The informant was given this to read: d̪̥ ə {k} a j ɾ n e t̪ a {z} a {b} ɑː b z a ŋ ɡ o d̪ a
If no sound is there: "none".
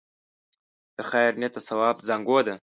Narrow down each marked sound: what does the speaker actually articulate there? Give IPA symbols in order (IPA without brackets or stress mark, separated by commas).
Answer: x, s, w